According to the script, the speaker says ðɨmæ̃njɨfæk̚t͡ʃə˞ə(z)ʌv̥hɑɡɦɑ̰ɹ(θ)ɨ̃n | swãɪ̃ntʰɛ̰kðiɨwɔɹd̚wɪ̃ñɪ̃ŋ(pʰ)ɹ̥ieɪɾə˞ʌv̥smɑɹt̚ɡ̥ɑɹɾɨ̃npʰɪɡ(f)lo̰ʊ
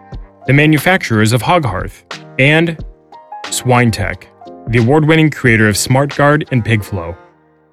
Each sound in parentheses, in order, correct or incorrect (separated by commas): correct, correct, incorrect, correct